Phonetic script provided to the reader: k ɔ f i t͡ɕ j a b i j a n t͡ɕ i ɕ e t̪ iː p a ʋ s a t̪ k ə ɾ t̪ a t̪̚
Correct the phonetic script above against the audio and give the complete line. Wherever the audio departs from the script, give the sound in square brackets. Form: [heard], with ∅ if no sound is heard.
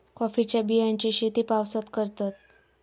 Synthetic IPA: k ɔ f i t͡ɕ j a b i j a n t͡ɕ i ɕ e t̪ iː p a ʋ s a t̪ k ə ɾ t̪ a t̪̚